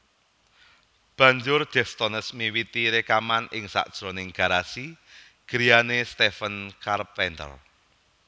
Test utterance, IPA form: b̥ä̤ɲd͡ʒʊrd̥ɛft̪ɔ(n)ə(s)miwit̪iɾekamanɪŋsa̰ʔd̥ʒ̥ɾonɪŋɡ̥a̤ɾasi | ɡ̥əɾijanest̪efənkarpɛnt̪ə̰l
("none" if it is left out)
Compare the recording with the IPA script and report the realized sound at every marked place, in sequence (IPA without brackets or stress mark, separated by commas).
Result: n, s